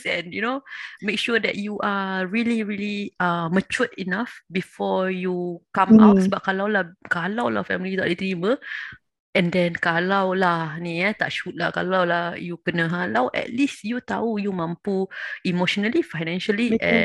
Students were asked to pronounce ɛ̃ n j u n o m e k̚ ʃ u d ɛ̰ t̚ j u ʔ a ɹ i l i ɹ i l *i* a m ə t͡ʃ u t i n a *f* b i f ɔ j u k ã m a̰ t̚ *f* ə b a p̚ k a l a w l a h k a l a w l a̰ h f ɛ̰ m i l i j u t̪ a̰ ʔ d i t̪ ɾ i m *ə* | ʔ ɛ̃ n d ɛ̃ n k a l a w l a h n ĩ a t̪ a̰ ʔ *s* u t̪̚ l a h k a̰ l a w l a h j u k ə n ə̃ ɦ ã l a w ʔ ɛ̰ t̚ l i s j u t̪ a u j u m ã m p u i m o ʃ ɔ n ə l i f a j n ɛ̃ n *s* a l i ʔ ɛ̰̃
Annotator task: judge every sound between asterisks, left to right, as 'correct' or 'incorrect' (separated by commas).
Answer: correct, correct, incorrect, correct, incorrect, incorrect